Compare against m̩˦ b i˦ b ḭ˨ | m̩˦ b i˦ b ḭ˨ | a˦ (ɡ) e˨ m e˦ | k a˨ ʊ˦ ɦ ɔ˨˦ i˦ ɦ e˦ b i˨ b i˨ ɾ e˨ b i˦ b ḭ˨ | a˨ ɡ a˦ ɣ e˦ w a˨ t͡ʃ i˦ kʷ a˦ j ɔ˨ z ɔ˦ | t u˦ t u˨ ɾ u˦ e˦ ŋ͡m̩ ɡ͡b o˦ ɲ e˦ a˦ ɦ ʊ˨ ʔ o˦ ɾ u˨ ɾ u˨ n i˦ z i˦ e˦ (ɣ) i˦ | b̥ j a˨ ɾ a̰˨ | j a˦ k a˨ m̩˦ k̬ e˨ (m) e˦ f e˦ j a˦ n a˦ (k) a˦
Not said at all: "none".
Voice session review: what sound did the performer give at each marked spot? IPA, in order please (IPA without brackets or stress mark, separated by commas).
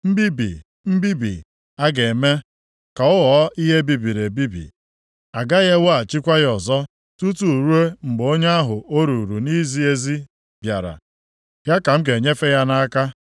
ɡ, z, ɲ, k